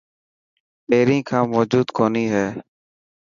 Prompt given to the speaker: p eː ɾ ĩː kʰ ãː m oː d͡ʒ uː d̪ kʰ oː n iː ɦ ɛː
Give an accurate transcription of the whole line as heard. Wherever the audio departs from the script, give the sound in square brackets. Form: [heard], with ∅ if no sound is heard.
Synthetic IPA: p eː ɾ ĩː kʰ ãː m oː d͡ʒ uː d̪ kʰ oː n iː ɦ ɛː